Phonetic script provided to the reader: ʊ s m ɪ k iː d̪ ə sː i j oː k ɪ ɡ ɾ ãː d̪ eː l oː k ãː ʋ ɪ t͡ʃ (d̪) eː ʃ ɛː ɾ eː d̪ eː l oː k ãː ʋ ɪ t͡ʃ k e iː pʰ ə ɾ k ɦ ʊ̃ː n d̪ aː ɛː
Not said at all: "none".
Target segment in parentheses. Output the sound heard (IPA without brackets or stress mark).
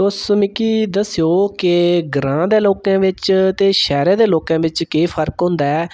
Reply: t̪